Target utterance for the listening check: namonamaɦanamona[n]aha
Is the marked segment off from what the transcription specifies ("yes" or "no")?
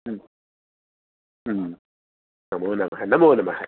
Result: yes